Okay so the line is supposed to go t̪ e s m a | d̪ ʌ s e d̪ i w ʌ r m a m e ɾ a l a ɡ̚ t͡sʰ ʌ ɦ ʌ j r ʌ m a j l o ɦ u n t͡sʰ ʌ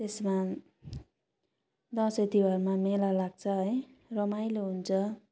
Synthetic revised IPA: t̪ e s m a | d̪ ʌ s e t̪ i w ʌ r m a m e l a l a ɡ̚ t͡sʰ ʌ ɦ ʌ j r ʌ m a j l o ɦ u n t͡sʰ ʌ